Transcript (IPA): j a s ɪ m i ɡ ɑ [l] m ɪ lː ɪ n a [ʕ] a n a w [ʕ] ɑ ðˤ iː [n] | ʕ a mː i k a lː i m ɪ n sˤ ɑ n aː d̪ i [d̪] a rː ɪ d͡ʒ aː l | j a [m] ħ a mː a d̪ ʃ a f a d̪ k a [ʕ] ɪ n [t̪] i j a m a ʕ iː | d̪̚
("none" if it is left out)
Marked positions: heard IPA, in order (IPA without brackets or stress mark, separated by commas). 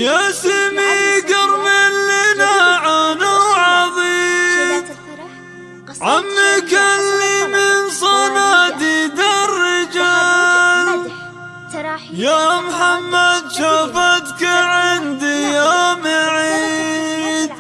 ɾ, ʕ, ʕ, m, d̪, m, ʕ, d̪